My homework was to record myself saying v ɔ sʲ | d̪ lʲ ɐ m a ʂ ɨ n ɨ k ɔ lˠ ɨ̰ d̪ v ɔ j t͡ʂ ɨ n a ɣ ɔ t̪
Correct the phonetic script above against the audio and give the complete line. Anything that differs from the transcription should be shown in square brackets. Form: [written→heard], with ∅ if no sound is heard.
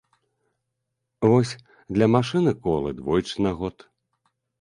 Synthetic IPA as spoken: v ɔ sʲ | d̪ lʲ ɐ m a ʂ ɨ n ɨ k ɔ lˠ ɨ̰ d̪ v ɔ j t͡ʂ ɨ n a ɣ ɔ t̪